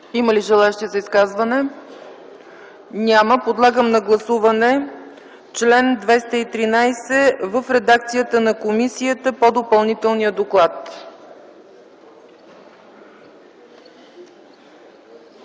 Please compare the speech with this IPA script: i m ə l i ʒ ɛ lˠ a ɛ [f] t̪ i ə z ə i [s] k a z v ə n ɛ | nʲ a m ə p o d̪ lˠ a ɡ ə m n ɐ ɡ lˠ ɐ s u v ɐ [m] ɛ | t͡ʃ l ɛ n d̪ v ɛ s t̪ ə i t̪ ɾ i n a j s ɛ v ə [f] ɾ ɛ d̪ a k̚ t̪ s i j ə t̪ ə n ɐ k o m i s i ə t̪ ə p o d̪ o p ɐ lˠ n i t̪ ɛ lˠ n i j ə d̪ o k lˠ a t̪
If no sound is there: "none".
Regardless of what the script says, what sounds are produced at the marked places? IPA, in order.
ʃ, s, n, f

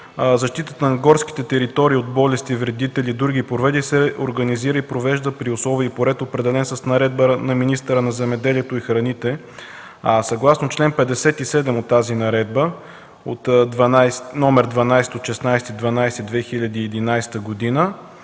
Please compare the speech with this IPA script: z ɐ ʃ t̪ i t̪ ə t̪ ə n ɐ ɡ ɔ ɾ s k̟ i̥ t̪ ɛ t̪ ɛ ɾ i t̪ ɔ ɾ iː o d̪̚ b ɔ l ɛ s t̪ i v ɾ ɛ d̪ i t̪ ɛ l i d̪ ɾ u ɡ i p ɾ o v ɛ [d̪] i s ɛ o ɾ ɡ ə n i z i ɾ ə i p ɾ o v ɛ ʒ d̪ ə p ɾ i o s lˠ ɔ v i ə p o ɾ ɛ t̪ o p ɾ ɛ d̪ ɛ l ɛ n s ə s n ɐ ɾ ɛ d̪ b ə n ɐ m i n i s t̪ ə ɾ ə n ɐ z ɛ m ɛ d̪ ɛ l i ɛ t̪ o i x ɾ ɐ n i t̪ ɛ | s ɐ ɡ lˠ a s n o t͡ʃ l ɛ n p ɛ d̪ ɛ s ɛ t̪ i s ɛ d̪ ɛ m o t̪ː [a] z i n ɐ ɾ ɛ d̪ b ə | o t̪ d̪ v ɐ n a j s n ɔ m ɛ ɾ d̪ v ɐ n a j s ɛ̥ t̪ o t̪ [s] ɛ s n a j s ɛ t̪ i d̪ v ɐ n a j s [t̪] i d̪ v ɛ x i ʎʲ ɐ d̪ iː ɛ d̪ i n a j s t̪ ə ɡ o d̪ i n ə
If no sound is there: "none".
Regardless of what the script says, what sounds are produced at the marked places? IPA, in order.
d̪, a, ʃ, t̪

